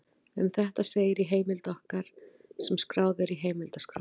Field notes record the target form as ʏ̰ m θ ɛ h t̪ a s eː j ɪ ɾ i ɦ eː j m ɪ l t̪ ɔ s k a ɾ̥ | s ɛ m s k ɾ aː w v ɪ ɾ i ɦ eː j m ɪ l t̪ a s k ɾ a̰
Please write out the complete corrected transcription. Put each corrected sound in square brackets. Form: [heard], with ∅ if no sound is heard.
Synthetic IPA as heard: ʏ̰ m θ ɛ h t̪ a s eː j ɪ ɾ i ɦ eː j m ɪ l t̪ ɔ [h] k a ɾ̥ | s ɛ m s k ɾ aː w [ð] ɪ ɾ i ɦ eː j m ɪ l t̪ a s k ɾ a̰